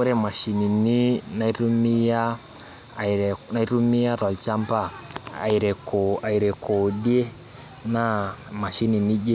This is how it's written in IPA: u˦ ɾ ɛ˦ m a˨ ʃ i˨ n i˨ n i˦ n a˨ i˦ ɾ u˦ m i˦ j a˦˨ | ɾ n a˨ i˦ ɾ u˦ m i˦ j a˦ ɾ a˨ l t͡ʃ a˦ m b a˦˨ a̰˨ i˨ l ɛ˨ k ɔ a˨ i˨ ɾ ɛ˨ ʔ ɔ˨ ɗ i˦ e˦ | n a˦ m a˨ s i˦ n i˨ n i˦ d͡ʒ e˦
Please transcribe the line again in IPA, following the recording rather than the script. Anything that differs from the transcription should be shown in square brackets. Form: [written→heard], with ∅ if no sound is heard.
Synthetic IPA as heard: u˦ ɾ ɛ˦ m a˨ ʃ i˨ n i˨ n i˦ n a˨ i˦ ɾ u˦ m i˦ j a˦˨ | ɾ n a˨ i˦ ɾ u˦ m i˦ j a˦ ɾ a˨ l t͡ʃ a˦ m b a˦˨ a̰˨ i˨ [l→ɾ] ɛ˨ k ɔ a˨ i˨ ɾ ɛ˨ [ʔ→k] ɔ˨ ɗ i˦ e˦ | n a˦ m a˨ [s→ʃ] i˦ n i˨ n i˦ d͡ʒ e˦